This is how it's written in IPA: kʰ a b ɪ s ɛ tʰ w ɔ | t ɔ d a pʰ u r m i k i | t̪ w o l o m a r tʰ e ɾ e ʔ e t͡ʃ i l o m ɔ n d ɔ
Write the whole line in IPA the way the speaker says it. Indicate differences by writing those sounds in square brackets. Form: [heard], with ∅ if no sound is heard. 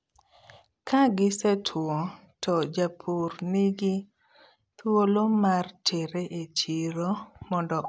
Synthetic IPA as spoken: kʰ a [ɡ] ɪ s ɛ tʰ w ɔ | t ɔ [d͡ʒ] a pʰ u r [n] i [ɡ] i | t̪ w o l o m a r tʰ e ɾ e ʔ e t͡ʃ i [ɾ] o m ɔ n d ɔ